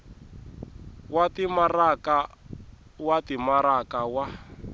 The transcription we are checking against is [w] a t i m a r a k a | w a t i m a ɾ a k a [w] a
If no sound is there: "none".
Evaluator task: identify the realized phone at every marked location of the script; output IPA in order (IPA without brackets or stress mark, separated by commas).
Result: w, w